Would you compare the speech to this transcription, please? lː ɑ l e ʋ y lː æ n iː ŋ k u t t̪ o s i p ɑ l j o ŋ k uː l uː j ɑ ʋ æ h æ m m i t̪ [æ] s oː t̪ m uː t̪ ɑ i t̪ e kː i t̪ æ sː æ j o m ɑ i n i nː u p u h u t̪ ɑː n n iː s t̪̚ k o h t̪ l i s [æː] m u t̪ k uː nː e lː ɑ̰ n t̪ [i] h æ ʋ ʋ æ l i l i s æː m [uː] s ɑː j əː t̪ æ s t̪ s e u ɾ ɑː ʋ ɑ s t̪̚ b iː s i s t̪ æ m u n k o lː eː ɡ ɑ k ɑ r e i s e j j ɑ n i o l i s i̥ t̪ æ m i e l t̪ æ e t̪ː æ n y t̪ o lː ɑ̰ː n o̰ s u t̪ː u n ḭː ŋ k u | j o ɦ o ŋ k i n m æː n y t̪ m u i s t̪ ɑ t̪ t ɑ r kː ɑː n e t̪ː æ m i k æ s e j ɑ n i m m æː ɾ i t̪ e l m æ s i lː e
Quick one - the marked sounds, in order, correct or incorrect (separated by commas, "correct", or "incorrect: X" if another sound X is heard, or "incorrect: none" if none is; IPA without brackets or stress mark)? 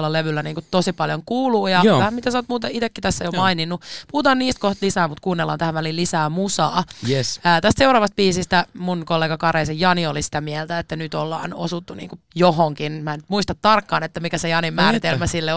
correct, correct, incorrect: æ, incorrect: u